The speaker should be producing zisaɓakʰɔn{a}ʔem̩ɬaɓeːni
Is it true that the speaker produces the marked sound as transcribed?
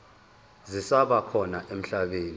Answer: yes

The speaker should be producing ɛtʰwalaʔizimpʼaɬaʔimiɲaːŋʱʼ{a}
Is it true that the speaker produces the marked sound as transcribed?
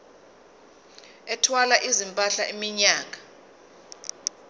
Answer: yes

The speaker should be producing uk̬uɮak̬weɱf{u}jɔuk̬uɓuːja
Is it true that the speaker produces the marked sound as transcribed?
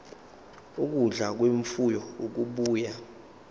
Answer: yes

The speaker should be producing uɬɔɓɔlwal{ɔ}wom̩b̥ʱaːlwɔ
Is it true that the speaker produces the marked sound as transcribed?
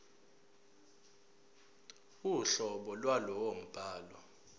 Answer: yes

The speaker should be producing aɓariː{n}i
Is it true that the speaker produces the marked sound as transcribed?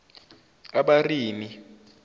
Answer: no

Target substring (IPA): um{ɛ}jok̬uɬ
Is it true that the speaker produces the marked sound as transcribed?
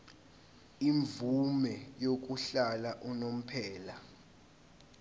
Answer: yes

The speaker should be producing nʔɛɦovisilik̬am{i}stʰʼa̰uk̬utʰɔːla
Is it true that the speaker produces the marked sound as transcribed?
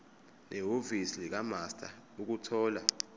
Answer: no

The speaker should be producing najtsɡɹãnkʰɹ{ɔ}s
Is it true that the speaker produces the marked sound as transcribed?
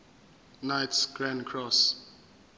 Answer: yes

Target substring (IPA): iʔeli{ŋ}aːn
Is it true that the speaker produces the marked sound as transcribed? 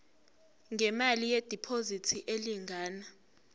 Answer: yes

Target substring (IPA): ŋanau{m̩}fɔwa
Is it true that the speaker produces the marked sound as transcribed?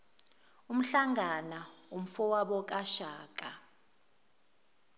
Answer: yes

